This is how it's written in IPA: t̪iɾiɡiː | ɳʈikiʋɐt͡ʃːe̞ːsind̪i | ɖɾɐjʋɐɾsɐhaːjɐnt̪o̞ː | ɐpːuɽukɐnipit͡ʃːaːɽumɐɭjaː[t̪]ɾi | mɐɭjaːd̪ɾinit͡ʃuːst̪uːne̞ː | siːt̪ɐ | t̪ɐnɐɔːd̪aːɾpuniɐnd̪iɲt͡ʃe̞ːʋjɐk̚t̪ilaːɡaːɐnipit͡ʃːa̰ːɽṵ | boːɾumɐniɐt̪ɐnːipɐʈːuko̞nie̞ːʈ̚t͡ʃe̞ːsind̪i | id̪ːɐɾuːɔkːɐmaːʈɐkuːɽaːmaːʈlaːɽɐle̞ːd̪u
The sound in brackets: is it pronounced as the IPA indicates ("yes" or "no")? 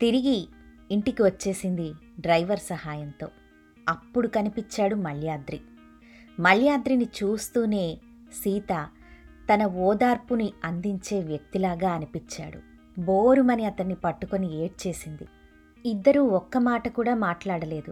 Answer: no